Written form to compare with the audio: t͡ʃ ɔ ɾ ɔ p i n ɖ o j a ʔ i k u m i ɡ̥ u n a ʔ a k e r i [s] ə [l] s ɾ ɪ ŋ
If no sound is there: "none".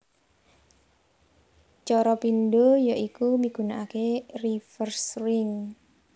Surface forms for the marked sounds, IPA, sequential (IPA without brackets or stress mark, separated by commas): f, r